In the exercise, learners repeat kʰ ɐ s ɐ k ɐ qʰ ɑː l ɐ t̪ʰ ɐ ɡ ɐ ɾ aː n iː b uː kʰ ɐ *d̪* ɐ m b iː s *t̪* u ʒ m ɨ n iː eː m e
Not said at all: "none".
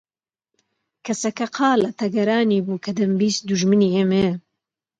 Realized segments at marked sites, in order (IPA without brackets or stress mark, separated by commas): d̪, d̪